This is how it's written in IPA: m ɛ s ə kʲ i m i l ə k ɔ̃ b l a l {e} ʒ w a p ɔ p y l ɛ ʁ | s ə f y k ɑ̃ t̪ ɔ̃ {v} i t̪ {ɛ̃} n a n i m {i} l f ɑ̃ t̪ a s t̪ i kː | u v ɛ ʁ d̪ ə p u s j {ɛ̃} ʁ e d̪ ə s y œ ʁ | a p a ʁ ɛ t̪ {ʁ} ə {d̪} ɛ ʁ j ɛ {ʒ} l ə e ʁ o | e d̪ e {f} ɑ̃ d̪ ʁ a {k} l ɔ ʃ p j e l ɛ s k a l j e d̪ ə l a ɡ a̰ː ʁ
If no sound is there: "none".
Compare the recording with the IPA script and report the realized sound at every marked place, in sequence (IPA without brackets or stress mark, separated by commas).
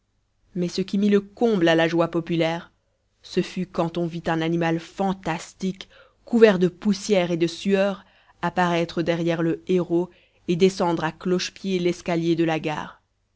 a, v, ɛ̃, a, ɛ, χ, d̪, ʁ, s, k